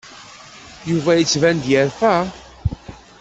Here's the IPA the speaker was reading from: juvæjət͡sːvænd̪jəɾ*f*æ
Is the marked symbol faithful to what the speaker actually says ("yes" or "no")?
yes